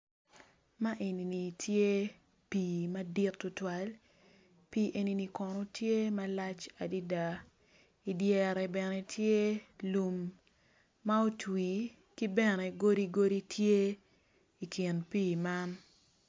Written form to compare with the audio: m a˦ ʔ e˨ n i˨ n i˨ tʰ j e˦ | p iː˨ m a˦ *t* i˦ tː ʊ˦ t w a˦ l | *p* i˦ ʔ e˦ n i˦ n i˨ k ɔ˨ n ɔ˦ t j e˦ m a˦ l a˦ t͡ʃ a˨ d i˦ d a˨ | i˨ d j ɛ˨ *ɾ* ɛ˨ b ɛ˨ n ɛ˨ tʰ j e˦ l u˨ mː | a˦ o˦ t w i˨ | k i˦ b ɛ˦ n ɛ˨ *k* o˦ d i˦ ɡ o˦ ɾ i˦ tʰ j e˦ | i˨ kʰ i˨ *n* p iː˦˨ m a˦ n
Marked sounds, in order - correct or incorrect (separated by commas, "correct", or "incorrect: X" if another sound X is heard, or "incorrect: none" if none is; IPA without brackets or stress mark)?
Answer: incorrect: d, correct, correct, incorrect: ɡ, correct